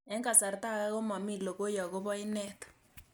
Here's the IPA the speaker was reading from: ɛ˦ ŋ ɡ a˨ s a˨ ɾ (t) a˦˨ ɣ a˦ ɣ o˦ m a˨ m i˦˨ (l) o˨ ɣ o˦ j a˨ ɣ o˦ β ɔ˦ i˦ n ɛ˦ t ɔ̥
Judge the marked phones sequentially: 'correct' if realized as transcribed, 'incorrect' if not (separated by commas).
correct, correct